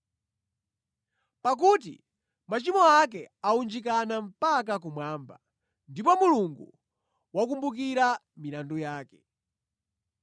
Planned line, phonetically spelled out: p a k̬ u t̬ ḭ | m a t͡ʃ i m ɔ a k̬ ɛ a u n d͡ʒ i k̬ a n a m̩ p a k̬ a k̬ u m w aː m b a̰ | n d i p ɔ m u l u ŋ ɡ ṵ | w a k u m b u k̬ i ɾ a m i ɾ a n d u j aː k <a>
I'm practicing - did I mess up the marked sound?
yes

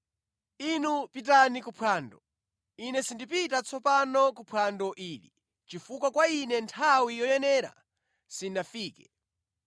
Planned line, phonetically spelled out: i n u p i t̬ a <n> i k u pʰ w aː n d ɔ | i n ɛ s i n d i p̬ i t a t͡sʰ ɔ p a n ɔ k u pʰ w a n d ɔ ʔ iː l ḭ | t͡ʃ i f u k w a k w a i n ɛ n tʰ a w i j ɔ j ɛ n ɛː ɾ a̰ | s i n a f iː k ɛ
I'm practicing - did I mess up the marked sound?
no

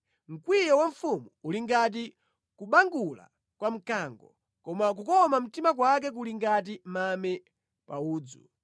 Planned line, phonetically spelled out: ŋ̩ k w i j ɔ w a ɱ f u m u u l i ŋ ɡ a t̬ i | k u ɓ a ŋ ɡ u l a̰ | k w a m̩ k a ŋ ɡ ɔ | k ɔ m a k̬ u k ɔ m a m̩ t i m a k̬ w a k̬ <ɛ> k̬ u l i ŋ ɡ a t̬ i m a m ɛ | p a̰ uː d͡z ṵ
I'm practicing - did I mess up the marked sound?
no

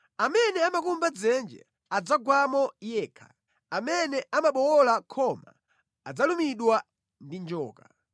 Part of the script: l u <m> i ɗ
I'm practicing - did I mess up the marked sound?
no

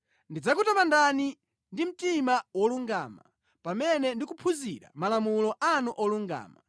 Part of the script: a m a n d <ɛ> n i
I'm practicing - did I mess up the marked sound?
yes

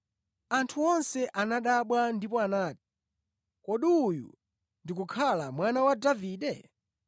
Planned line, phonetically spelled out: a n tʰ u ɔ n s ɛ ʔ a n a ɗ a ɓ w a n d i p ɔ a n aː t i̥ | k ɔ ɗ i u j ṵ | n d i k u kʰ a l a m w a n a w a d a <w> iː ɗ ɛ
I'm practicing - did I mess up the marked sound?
yes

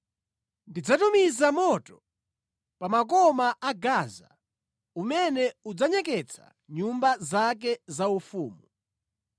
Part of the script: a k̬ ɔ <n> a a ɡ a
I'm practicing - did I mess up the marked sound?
yes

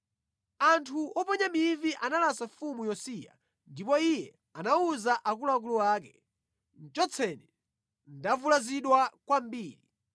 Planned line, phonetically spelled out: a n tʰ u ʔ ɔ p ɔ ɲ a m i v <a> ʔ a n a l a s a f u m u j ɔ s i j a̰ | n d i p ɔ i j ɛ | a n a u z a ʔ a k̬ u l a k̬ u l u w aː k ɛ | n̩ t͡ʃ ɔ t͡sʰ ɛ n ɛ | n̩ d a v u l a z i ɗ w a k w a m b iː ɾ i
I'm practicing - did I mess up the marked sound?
yes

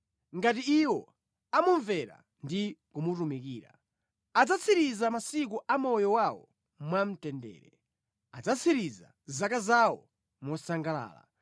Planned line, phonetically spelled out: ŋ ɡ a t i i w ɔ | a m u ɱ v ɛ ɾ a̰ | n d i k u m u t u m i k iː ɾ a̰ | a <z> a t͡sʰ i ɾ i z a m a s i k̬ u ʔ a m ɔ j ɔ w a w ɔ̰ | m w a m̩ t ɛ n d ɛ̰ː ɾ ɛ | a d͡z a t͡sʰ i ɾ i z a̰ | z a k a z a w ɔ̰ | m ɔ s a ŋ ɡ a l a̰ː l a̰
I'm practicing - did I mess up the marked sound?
yes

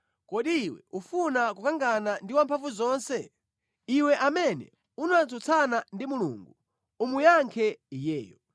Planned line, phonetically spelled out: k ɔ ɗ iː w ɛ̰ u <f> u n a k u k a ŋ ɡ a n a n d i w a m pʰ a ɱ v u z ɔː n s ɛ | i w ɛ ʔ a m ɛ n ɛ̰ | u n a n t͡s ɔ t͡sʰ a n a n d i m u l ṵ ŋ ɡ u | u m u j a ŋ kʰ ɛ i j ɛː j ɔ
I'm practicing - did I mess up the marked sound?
no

